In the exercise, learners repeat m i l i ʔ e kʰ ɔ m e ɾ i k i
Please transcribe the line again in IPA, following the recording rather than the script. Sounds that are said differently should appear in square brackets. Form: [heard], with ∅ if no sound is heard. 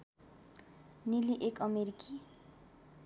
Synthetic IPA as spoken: [n] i l i ʔ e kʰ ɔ m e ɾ i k i